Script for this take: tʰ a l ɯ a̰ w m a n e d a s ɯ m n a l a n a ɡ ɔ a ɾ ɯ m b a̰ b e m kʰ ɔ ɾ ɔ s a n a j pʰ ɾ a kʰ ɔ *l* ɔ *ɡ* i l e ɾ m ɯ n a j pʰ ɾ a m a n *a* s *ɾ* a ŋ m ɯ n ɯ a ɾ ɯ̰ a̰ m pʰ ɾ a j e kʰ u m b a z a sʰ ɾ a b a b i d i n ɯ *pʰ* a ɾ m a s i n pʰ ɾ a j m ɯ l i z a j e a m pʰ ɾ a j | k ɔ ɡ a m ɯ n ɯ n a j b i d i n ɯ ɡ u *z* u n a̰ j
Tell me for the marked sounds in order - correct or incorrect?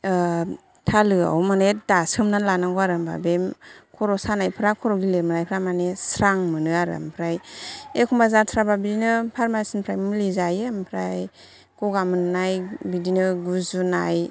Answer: incorrect: ɾ, correct, incorrect: e, correct, correct, correct

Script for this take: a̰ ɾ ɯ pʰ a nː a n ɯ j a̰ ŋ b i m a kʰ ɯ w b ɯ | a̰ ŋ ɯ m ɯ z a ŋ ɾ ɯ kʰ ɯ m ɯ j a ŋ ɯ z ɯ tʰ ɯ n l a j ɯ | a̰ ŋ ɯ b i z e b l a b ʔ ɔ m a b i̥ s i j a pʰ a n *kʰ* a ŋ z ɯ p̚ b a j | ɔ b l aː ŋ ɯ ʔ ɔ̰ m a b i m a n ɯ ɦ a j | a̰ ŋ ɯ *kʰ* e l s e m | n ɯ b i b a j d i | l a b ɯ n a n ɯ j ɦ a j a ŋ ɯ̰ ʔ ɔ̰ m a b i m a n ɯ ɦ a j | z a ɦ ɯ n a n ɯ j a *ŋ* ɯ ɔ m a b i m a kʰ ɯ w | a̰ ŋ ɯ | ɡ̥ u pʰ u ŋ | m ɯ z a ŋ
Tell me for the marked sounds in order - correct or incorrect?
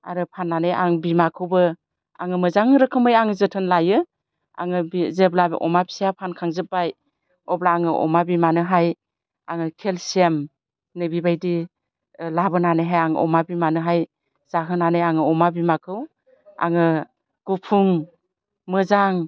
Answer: correct, correct, correct

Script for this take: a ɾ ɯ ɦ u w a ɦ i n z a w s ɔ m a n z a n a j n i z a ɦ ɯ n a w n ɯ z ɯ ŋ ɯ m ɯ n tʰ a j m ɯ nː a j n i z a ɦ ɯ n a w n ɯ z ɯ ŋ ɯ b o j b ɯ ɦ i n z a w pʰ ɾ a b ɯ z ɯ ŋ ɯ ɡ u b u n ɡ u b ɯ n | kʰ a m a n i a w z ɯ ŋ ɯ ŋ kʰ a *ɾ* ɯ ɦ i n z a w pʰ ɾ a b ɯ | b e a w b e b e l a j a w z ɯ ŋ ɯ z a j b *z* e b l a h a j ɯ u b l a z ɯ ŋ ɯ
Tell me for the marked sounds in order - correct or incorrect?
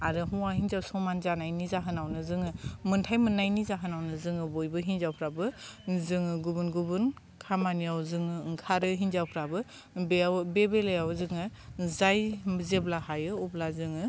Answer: correct, correct

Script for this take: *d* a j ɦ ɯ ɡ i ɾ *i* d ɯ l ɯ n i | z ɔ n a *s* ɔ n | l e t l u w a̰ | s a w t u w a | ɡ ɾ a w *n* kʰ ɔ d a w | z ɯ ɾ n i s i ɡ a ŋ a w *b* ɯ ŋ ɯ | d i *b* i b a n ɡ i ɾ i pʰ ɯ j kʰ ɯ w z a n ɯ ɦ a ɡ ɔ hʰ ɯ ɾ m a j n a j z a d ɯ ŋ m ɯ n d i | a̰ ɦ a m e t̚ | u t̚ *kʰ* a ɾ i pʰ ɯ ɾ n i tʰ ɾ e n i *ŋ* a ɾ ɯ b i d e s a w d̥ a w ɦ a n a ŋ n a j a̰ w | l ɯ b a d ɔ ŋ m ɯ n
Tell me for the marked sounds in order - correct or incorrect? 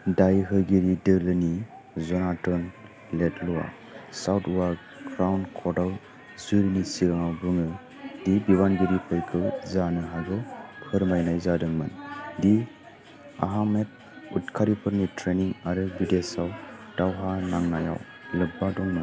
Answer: correct, correct, incorrect: t, correct, correct, correct, correct, correct

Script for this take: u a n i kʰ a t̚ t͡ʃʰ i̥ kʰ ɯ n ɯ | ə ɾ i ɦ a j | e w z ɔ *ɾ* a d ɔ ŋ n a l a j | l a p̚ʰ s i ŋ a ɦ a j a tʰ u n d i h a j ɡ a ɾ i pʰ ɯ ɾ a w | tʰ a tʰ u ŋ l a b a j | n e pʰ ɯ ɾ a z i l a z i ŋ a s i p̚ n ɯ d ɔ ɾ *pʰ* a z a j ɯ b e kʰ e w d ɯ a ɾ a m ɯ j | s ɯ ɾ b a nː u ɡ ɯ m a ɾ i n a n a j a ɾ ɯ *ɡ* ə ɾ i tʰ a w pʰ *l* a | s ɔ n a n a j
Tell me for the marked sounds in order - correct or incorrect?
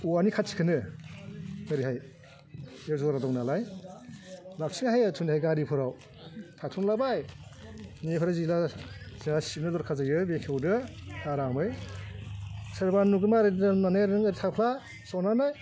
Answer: correct, incorrect: kʰ, incorrect: ŋ, correct

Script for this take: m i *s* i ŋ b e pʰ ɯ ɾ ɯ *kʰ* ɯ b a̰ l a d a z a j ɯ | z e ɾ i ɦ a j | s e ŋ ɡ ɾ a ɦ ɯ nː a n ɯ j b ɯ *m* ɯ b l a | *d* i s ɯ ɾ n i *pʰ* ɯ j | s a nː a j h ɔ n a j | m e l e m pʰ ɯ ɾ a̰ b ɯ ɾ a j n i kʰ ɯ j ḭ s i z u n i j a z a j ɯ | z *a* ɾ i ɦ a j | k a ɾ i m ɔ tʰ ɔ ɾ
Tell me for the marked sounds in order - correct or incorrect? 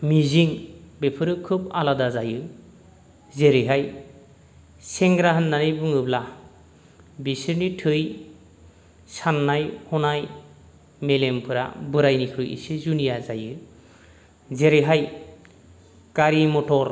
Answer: incorrect: z, correct, incorrect: ŋ, incorrect: b, incorrect: tʰ, incorrect: e

